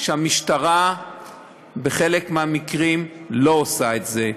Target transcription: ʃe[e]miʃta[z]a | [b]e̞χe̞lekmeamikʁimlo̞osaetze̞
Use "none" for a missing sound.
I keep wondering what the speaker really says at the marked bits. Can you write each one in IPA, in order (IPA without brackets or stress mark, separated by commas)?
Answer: a, ʁ, b